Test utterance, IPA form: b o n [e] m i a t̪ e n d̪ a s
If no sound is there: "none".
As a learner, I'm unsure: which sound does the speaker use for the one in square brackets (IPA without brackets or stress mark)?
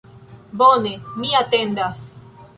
e